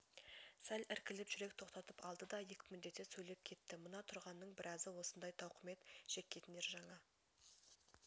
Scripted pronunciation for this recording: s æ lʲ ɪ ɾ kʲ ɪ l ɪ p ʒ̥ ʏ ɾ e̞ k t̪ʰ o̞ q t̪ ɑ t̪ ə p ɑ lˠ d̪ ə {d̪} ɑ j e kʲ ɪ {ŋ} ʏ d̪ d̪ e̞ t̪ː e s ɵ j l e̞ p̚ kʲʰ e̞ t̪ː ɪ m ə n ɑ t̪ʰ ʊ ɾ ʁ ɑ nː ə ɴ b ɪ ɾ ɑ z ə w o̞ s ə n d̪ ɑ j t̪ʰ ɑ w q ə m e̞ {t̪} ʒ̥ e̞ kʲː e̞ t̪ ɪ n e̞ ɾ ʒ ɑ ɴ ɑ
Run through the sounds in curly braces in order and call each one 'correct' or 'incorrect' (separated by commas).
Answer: correct, incorrect, correct